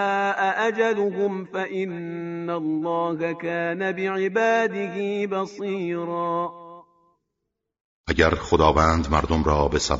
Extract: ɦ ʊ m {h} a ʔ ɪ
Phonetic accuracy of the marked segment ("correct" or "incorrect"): incorrect